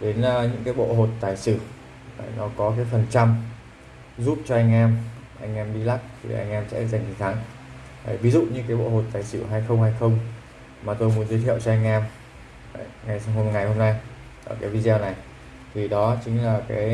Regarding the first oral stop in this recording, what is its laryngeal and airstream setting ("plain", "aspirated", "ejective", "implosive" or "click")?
implosive